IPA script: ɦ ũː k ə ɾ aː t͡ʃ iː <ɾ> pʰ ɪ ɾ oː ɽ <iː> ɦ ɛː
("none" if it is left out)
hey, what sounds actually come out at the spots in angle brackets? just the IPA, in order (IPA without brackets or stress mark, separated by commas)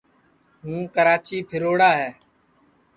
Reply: none, aː